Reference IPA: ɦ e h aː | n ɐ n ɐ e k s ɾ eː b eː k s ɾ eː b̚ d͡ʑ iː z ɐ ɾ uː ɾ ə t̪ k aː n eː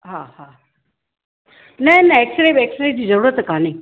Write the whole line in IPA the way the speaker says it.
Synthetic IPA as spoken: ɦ a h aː | n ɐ n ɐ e k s ɾ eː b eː k s ɾ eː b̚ d͡ʑ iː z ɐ ɾ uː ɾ ə t̪ k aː n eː